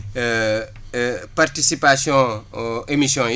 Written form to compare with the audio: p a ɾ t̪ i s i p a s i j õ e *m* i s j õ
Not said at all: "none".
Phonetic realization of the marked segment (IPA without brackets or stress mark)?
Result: m